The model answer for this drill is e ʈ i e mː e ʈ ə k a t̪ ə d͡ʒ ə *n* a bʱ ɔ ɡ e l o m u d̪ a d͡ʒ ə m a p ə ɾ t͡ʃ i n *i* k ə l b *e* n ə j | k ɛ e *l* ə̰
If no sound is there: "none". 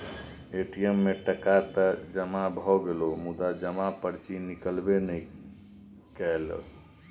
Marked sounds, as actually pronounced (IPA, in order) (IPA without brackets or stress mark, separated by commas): m, i, e, l